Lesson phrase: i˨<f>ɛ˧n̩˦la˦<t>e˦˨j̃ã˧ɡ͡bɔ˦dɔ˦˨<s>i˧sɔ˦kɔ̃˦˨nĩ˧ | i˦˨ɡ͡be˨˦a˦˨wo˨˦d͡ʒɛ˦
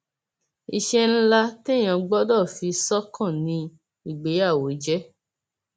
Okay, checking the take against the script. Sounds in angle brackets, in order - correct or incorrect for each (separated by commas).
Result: incorrect, correct, incorrect